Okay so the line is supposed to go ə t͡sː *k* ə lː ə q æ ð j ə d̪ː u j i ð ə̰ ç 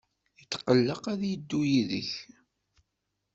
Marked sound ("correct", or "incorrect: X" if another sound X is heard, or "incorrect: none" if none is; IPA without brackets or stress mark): incorrect: q